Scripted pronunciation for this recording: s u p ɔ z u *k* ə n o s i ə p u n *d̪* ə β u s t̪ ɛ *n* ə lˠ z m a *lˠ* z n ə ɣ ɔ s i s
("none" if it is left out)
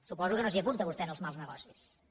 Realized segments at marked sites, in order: k, t̪, n, lˠ

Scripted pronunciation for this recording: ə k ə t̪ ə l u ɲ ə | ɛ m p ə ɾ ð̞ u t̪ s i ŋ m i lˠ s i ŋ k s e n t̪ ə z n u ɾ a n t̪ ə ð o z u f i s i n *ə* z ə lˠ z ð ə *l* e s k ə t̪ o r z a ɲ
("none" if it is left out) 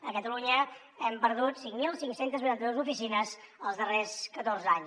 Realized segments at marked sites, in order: ə, r

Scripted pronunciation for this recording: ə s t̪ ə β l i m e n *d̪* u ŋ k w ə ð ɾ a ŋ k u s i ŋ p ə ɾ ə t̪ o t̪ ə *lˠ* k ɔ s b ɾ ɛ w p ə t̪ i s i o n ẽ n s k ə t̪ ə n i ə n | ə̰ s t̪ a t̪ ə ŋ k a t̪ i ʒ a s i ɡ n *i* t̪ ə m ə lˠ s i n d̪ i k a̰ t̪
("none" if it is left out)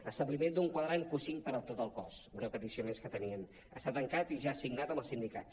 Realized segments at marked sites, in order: d̪, lˠ, a

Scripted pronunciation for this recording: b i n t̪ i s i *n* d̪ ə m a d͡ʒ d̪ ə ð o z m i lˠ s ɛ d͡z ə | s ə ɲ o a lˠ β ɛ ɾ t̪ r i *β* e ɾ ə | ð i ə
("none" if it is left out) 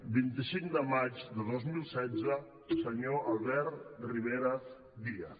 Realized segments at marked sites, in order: ŋ, β

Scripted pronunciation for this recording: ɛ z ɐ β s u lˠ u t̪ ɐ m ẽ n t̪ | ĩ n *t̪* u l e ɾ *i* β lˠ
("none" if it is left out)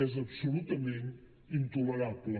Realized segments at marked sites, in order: t̪, a

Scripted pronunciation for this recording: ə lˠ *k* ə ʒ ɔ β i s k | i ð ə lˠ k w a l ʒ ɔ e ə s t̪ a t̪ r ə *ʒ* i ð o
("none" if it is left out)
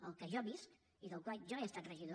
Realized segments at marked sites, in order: k, ʒ

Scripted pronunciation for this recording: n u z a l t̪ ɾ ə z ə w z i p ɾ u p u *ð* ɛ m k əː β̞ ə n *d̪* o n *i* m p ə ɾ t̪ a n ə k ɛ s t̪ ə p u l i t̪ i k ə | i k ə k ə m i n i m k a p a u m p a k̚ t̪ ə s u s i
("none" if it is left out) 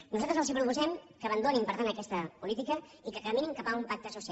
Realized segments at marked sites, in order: z, d̪, i

